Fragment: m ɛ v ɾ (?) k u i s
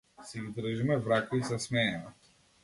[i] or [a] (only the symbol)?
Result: a